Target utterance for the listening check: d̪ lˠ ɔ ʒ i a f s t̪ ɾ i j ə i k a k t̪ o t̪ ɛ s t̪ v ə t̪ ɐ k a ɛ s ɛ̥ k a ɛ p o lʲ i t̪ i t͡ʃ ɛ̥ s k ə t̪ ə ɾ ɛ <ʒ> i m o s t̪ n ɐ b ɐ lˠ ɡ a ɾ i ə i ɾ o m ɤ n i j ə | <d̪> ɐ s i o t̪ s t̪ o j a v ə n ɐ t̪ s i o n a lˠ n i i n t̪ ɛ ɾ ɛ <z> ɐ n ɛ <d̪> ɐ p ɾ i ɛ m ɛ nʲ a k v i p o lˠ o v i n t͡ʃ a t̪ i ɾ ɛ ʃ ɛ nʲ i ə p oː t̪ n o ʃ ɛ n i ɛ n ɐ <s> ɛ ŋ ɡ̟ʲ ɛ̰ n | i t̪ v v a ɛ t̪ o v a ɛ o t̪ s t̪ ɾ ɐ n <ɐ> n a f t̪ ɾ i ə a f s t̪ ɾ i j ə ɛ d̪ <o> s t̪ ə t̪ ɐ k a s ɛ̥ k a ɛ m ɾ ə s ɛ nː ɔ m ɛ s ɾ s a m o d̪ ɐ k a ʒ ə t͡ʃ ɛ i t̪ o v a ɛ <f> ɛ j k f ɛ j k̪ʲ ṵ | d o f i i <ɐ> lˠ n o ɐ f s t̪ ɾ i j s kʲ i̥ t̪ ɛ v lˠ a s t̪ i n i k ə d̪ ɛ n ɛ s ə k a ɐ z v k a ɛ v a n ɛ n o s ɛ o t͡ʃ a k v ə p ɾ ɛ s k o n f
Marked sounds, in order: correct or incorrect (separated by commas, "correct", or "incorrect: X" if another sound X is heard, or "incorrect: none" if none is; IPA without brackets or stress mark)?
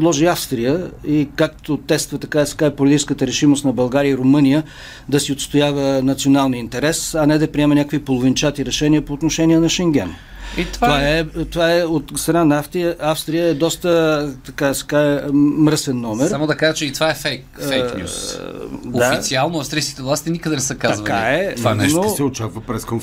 incorrect: ʃ, correct, incorrect: s, correct, incorrect: ʃ, incorrect: a, incorrect: ɔ, correct, incorrect: a